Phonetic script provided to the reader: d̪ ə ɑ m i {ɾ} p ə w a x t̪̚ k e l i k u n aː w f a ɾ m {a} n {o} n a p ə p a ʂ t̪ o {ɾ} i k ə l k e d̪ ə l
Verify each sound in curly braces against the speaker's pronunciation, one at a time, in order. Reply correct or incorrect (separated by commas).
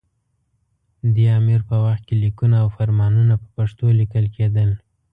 correct, incorrect, incorrect, incorrect